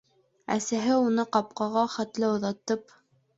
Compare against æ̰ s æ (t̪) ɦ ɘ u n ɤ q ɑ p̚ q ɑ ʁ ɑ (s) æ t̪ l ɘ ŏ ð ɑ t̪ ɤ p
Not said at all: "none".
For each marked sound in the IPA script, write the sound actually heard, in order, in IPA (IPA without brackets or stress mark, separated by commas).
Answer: none, χ